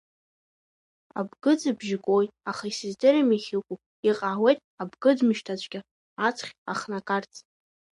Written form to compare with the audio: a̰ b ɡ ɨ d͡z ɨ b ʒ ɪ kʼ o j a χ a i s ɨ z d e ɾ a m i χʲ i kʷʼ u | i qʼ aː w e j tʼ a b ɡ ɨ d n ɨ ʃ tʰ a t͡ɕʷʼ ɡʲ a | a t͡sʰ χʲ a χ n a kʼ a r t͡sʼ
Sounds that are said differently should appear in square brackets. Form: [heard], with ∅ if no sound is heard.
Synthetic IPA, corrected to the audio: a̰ b ɡ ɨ d͡z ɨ b ʒ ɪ kʼ o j a χ a i s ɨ z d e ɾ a m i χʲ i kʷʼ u | i qʼ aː w e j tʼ a b ɡ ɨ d [m] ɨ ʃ tʰ a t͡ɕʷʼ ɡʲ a | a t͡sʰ χʲ a χ n a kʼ a r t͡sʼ